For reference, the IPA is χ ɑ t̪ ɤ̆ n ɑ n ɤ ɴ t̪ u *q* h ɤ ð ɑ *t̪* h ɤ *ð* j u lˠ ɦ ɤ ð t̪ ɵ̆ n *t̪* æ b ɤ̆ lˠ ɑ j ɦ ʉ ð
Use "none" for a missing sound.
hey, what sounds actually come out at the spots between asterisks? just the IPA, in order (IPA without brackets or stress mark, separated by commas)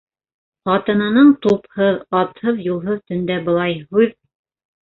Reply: p, t̪, ð, d̪